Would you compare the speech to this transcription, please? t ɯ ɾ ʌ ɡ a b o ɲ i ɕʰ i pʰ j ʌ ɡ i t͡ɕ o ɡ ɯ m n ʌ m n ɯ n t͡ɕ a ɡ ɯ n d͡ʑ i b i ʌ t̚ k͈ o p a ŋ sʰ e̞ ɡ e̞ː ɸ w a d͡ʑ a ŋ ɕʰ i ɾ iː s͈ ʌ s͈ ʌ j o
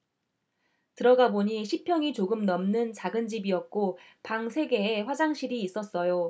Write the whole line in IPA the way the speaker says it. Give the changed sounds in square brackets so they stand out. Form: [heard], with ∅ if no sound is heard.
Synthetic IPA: t ɯ ɾ ʌ ɡ a b o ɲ i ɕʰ i pʰ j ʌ [ŋ] i t͡ɕ o ɡ ɯ m n ʌ m n ɯ n t͡ɕ a ɡ ɯ n d͡ʑ i b i ʌ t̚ k͈ o p a ŋ sʰ e̞ ɡ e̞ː ɸ w a d͡ʑ a ŋ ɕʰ i ɾ iː s͈ ʌ s͈ ʌ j o